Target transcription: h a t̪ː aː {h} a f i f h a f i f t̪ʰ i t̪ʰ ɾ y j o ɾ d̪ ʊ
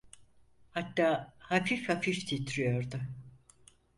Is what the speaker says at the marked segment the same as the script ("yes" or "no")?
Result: yes